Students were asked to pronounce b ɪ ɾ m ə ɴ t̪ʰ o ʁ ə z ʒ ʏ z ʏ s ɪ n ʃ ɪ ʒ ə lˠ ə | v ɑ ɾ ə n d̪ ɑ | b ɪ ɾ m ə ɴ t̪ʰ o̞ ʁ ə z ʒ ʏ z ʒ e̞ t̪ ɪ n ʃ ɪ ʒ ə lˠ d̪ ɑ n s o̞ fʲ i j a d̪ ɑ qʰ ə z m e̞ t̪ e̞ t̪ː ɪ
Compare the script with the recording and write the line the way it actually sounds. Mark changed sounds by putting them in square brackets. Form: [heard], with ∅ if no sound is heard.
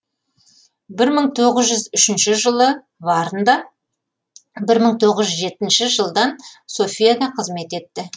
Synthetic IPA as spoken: b ɪ ɾ m ə ɴ t̪ʰ o ʁ ə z ʒ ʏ z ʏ [ʃ] ɪ n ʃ ɪ ʒ ə lˠ ə | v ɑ ɾ ə n d̪ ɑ | b ɪ ɾ m ə ɴ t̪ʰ o̞ ʁ ə z ʒ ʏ z ʒ e̞ t̪ ɪ n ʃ ɪ ʒ ə lˠ d̪ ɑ n s o̞ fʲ i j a d̪ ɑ qʰ ə z m e̞ t̪ e̞ t̪ː ɪ

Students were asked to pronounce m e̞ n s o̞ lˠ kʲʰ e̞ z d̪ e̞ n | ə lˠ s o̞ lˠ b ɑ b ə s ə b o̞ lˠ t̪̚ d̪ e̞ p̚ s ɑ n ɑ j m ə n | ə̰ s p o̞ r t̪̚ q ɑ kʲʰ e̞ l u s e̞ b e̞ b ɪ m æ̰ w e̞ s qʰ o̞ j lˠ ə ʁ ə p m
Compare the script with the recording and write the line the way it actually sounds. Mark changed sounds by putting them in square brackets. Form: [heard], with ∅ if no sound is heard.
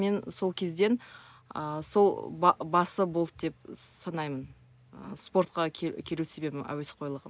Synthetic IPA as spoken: m e̞ n s o̞ lˠ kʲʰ e̞ z d̪ e̞ n | ə [∅] s o̞ lˠ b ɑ b [ɑ] s ə b o̞ lˠ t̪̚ d̪ e̞ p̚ s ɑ n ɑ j m ə n | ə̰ s p o̞ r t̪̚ q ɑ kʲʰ e̞ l u s e̞ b e̞ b ɪ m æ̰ w e̞ s qʰ o̞ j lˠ ə ʁ ə [∅] m

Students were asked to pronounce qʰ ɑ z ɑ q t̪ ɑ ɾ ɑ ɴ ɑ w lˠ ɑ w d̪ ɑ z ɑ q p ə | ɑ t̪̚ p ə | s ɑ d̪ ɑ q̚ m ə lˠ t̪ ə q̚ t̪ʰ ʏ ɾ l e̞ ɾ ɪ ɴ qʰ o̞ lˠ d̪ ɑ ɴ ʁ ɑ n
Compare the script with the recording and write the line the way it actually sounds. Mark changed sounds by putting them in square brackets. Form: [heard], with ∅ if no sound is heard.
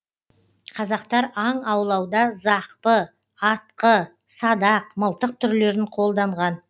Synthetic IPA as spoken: qʰ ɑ z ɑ q t̪ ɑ ɾ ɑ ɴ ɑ w lˠ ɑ w d̪ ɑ z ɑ q p ə | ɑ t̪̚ [q] ə | s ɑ d̪ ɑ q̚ m ə lˠ t̪ ə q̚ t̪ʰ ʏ ɾ l e̞ ɾ ɪ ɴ qʰ o̞ lˠ d̪ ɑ ɴ ʁ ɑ n

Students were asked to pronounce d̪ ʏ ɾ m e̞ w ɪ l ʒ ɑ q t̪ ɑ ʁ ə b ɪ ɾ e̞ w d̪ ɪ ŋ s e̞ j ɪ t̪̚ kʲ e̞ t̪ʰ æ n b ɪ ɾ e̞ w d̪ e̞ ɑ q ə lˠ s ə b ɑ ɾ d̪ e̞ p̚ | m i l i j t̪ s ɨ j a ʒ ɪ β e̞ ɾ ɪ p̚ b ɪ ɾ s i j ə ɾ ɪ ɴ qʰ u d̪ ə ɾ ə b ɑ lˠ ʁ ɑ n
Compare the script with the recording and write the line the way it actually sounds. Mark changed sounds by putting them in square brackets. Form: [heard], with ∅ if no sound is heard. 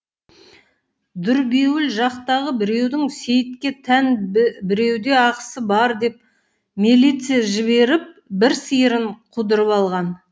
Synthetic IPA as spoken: d̪ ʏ ɾ [b] e̞ w ɪ l ʒ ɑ q t̪ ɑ ʁ ə b ɪ ɾ e̞ w d̪ ɪ ŋ s e̞ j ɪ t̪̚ kʲ e̞ t̪ʰ æ n b ɪ ɾ e̞ w d̪ e̞ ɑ q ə [∅] s ə b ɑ ɾ d̪ e̞ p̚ | m i l i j t̪ s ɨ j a ʒ ɪ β e̞ ɾ ɪ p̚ b ɪ ɾ s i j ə ɾ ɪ ɴ qʰ u d̪ ə ɾ ə [p] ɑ lˠ ʁ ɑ n

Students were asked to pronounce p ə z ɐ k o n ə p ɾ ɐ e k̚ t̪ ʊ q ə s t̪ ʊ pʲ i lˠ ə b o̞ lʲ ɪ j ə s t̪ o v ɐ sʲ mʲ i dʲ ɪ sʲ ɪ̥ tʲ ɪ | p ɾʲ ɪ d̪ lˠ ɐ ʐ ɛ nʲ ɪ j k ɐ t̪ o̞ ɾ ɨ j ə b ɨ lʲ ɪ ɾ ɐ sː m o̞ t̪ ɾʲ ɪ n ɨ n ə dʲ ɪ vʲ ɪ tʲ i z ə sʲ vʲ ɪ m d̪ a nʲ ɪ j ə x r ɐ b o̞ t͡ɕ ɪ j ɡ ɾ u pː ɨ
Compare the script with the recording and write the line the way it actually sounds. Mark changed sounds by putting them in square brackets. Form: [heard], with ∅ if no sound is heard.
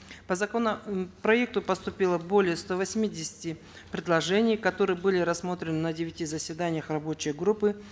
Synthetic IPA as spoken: p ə z ɐ k o n ə p ɾ ɐ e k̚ t̪ ʊ [p] ə s t̪ ʊ pʲ i lˠ ə b o̞ lʲ ɪ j ə s t̪ o v ɐ sʲ mʲ i dʲ ɪ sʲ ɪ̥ tʲ ɪ | p ɾʲ ɪ d̪ lˠ ɐ ʐ ɛ nʲ ɪ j k ɐ t̪ o̞ ɾ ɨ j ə b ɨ lʲ ɪ ɾ ɐ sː m o̞ t̪ ɾʲ ɪ n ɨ n ə dʲ ɪ vʲ ɪ tʲ i z ə sʲ vʲ ɪ [∅] d̪ a nʲ ɪ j ə x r ɐ b o̞ t͡ɕ ɪ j ɡ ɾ u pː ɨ

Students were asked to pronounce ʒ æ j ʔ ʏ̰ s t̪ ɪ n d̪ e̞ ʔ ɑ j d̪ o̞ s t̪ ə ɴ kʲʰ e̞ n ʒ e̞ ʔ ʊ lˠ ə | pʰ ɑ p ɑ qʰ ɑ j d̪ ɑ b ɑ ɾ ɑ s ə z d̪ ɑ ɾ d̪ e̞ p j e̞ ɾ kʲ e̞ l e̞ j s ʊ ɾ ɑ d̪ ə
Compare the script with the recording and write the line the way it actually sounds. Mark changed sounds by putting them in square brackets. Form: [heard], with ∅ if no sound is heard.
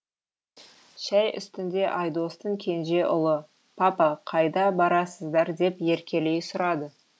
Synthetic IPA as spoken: [ʃ] æ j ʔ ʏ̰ s t̪ ɪ n d̪ e̞ ʔ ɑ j d̪ o̞ s t̪ ə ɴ kʲʰ e̞ n ʒ e̞ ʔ ʊ lˠ ə | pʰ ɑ p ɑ qʰ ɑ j d̪ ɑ b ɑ ɾ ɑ s ə z d̪ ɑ ɾ d̪ e̞ p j e̞ ɾ kʲ e̞ l e̞ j s ʊ ɾ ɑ d̪ ə

